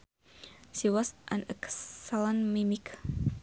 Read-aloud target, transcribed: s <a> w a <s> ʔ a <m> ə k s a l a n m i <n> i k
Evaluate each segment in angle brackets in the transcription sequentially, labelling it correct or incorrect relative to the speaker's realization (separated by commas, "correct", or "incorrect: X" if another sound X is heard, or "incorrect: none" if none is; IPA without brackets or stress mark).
incorrect: i, correct, incorrect: n, incorrect: m